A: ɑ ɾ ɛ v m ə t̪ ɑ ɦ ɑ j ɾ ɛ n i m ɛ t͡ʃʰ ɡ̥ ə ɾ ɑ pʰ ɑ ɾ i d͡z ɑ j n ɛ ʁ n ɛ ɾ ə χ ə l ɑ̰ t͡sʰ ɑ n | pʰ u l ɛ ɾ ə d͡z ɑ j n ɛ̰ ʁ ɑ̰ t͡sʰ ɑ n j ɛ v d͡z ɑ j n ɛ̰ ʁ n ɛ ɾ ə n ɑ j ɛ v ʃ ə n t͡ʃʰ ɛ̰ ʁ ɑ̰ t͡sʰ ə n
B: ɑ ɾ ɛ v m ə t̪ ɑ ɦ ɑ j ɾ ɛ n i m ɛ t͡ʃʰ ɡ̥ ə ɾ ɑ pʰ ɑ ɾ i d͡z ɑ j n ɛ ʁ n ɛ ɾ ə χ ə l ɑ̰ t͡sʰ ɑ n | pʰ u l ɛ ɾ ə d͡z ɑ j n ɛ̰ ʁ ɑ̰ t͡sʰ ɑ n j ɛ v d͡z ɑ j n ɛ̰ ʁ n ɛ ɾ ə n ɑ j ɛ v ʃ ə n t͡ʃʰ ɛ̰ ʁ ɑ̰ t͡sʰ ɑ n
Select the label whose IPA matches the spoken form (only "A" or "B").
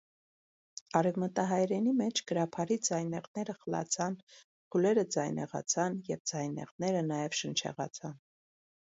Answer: B